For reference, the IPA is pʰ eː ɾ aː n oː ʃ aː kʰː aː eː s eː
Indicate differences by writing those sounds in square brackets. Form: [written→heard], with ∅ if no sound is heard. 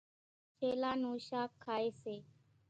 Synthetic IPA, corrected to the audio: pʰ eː [ɾ→l] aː n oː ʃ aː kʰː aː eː s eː